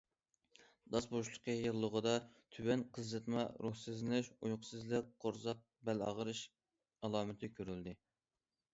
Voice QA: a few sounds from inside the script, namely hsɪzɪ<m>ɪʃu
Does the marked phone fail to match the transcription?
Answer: yes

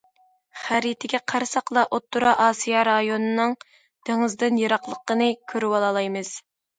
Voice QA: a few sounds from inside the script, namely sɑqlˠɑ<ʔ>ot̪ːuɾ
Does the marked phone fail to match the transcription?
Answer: no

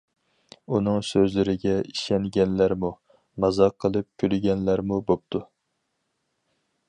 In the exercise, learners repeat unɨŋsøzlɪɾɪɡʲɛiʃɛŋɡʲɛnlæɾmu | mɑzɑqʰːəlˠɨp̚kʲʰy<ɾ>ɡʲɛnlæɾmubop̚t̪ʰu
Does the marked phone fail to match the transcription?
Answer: yes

